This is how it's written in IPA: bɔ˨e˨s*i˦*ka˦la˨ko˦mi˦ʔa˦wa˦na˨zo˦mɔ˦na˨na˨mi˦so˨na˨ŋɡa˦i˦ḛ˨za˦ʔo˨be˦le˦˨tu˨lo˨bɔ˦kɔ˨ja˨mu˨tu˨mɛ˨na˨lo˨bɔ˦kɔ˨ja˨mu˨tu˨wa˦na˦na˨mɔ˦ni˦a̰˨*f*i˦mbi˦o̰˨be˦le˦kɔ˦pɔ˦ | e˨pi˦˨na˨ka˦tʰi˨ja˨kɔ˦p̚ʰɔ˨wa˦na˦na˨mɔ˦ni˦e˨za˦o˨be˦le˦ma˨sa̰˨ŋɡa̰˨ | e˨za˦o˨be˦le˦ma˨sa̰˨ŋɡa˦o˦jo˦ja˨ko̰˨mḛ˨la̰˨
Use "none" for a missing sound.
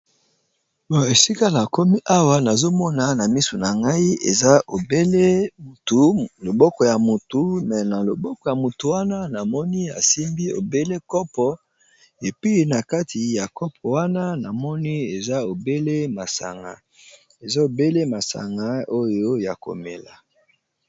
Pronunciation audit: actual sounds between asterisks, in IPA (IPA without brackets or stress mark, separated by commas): i˦, s